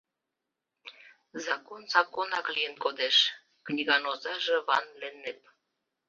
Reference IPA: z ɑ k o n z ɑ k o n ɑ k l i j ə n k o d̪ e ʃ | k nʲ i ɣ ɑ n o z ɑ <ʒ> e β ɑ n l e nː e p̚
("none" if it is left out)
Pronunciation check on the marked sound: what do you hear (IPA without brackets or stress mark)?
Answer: ʒ